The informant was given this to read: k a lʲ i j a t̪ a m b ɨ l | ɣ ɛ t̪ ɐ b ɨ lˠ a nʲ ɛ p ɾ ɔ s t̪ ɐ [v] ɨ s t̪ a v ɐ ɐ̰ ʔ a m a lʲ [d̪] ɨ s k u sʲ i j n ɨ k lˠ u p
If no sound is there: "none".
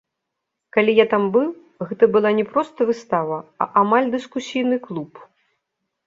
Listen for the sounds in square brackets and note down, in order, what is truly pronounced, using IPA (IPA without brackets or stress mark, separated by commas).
v, d̪